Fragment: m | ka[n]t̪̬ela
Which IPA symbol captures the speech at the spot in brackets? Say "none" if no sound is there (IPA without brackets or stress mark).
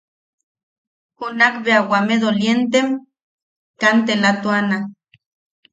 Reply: n